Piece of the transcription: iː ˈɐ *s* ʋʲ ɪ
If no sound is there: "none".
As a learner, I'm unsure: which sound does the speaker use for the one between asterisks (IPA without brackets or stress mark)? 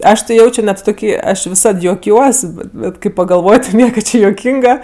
ʃ